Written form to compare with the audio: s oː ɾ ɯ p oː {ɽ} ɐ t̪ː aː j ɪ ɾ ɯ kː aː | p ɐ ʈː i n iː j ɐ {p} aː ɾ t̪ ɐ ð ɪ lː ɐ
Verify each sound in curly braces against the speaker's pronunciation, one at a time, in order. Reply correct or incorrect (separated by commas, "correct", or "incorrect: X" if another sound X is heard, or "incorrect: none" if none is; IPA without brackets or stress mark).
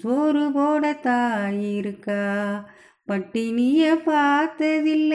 correct, correct